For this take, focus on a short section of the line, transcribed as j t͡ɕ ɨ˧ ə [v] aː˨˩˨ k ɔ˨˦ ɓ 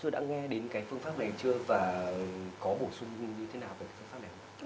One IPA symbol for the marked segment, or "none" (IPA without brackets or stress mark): v